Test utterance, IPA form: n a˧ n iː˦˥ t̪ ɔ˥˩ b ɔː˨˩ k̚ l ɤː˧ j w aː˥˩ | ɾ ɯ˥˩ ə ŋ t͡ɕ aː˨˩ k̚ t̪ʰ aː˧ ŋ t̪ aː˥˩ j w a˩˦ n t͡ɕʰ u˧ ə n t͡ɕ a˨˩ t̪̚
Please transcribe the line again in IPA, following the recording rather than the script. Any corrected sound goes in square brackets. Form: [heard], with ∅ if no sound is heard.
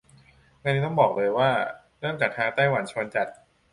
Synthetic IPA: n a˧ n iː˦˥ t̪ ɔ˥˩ b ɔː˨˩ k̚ l ɤː˧ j w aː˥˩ | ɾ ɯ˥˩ ə ŋ t͡ɕ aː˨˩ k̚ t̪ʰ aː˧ ŋ t̪ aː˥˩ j w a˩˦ n t͡ɕʰ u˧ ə n t͡ɕ a˨˩ t̪̚